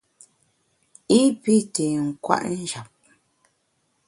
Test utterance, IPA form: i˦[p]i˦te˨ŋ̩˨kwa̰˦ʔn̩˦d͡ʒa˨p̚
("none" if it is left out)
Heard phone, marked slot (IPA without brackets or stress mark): p